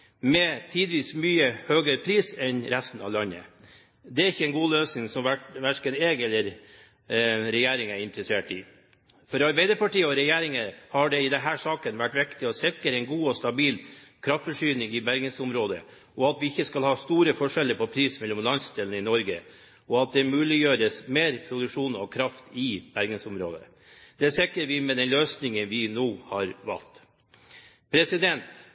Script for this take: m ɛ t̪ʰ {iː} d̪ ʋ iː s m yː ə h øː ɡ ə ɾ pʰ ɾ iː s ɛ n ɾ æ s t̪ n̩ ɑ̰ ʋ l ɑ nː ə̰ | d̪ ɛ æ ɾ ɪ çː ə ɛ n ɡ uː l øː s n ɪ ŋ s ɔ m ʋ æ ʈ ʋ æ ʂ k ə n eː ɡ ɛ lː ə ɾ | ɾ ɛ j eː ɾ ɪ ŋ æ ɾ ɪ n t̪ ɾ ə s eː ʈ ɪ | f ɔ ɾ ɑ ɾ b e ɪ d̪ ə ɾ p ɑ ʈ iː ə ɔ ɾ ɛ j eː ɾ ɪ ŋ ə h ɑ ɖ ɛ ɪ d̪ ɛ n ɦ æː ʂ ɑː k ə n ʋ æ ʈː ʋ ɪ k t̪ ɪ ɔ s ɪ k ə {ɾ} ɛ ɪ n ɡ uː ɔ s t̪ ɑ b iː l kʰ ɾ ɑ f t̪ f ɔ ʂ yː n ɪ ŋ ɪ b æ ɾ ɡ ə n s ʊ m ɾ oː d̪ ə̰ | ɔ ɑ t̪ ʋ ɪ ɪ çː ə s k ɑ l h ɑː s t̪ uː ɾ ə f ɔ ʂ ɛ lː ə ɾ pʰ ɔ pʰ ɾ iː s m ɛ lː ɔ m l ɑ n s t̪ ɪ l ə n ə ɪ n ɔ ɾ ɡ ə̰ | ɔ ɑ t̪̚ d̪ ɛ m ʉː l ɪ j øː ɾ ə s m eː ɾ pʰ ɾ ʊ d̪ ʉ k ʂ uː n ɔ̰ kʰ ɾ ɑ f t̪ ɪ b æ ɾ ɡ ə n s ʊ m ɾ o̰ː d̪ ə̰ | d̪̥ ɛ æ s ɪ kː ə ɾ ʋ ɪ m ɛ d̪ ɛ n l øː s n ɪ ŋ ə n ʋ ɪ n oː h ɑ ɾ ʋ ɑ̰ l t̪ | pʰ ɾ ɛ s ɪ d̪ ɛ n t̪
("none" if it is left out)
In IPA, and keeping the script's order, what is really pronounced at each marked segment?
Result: iː, ɾ

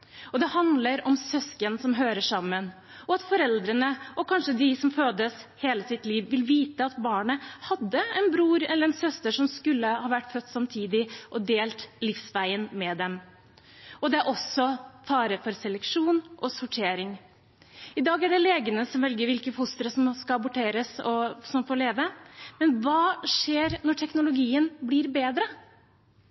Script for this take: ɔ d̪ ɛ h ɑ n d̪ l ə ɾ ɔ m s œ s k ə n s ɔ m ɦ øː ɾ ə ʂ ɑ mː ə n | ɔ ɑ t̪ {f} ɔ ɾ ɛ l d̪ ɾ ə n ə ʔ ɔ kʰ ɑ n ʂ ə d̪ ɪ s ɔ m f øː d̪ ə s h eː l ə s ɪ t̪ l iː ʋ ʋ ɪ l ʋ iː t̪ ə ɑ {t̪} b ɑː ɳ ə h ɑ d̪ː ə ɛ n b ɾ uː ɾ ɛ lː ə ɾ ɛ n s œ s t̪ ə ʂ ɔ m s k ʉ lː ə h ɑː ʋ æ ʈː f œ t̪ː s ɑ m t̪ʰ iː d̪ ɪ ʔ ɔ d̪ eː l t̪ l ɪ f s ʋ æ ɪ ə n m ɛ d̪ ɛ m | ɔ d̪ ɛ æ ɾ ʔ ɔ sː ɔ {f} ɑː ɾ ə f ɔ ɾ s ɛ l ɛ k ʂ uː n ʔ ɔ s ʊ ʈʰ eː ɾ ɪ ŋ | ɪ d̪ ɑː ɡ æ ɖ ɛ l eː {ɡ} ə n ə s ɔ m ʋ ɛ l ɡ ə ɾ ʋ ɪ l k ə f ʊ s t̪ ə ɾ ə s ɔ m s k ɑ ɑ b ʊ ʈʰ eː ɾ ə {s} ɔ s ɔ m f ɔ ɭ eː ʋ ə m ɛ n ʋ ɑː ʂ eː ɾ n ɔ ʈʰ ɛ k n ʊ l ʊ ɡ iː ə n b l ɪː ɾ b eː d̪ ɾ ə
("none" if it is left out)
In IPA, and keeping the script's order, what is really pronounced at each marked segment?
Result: f, t̪, f, ɡ, s

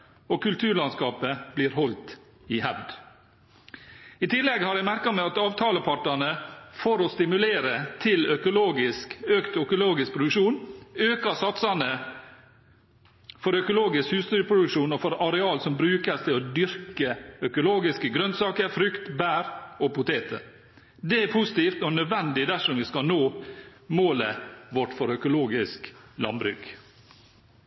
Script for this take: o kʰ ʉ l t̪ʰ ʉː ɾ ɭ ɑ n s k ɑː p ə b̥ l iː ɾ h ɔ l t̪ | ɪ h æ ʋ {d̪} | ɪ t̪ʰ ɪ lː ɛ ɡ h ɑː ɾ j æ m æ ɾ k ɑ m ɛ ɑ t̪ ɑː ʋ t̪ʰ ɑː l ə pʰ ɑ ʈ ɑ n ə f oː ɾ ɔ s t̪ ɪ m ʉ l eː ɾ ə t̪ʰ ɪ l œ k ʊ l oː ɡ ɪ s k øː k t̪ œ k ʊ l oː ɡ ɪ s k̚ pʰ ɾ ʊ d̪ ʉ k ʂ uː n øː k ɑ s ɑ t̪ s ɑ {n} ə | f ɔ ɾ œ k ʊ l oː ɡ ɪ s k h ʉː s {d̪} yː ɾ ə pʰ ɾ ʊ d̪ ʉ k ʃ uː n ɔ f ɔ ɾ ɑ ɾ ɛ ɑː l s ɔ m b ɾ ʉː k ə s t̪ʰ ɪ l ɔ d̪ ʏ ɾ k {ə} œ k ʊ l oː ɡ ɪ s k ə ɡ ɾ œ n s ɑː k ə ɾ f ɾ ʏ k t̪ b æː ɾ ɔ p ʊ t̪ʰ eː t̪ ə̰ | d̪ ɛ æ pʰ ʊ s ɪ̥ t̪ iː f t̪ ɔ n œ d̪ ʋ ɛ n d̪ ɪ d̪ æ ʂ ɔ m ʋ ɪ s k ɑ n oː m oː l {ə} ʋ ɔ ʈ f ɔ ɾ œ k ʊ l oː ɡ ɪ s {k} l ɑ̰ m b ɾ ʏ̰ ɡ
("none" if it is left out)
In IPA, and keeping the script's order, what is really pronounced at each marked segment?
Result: d̪, n, t̪, ə, ə, k

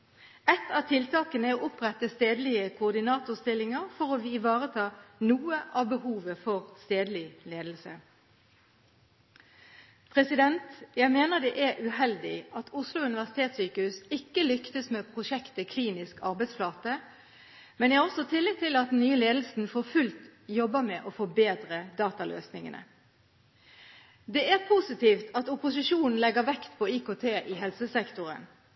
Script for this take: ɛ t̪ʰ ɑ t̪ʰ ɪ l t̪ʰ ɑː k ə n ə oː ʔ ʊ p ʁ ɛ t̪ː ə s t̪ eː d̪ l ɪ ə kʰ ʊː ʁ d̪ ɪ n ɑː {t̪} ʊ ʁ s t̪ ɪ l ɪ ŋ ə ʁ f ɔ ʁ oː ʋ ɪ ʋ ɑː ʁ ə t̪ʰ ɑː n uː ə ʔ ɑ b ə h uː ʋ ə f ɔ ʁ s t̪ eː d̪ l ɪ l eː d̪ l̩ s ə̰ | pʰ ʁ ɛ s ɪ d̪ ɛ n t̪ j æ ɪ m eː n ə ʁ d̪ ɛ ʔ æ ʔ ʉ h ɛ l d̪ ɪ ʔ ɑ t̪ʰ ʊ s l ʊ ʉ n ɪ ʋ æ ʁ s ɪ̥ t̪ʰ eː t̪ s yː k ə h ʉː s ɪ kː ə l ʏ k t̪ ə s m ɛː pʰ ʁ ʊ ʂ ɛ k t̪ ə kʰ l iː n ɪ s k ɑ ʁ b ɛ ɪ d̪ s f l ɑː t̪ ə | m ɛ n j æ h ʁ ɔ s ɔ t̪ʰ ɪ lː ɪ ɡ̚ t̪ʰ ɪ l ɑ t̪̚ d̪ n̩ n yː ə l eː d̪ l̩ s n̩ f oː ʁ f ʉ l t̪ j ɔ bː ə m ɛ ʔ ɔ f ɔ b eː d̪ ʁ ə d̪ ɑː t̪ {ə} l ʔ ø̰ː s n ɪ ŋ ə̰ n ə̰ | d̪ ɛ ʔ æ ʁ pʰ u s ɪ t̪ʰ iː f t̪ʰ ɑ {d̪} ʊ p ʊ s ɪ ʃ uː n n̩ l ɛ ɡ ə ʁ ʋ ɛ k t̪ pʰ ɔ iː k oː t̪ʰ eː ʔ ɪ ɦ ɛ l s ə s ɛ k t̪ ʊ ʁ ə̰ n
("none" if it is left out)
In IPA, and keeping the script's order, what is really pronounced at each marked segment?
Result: t̪, ɑ, t̪

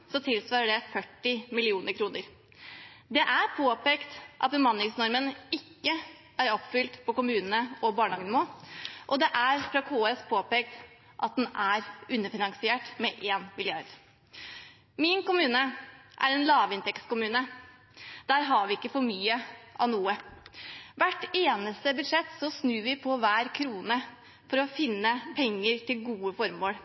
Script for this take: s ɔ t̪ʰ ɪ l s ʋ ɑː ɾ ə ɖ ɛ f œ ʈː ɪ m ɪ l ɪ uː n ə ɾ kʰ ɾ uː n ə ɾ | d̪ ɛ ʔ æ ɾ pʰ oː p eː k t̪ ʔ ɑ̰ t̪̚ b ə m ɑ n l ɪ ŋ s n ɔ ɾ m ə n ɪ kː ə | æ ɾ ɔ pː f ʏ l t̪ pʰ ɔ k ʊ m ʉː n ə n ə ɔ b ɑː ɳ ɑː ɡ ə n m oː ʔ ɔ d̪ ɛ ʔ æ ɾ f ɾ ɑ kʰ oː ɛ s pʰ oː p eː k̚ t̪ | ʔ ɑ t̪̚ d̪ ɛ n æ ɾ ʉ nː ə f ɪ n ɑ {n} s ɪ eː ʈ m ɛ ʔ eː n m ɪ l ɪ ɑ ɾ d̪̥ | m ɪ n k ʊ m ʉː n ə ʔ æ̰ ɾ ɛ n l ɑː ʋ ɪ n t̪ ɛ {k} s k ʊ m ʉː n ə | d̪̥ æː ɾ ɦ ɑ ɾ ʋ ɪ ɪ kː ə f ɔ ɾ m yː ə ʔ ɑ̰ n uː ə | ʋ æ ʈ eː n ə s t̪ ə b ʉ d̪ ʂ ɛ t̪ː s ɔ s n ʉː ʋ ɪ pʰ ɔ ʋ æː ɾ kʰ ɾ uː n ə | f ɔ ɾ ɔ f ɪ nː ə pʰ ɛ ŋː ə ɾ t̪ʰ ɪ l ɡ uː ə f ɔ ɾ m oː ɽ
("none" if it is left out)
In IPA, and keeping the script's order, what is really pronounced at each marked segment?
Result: ŋ, k

